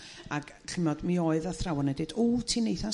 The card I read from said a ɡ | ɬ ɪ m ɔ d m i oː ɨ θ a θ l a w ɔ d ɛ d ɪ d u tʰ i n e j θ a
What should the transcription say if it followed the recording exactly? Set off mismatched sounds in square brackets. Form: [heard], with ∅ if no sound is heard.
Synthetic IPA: a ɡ | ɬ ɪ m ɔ d m i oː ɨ [ð] a θ [r] a w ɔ [n] ɛ d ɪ d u tʰ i n e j θ a